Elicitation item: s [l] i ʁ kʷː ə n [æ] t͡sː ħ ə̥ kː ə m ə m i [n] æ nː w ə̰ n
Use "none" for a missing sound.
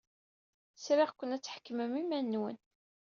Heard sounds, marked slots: ɾ, æ, m

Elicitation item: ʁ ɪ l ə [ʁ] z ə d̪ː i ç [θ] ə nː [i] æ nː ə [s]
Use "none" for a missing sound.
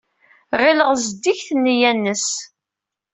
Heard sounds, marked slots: ʁ, θ, j, s

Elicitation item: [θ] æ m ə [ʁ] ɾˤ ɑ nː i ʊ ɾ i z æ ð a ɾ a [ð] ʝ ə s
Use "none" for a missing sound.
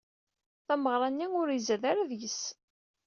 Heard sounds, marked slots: θ, ʁ, ð

